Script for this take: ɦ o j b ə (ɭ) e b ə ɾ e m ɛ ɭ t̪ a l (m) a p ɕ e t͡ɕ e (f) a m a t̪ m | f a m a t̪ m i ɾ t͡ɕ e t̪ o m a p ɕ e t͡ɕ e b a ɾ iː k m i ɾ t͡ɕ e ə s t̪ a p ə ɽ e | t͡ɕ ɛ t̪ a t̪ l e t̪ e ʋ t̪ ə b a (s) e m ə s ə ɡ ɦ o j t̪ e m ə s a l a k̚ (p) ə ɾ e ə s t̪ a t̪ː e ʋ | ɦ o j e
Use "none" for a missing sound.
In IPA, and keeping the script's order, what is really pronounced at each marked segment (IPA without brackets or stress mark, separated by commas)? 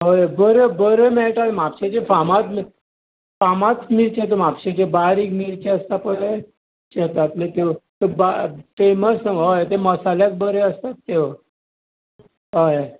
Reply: ɾ, m, f, f, b